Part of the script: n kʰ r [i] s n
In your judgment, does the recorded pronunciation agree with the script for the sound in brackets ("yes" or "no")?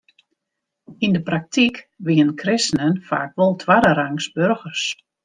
no